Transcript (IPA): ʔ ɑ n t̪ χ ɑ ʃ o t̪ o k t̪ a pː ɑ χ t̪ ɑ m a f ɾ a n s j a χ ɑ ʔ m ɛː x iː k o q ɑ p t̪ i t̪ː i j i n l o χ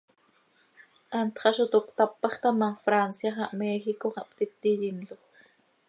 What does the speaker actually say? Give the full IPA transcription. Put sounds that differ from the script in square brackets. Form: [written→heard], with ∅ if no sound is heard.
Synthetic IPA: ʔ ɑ n t̪ χ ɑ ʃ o t̪ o k t̪ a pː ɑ χ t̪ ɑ m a f ɾ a n s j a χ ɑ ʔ m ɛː x [iː→i] k o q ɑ p t̪ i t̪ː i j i n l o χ